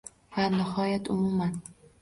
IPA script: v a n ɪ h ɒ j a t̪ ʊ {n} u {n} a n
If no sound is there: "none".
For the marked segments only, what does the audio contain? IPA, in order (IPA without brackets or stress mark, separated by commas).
m, m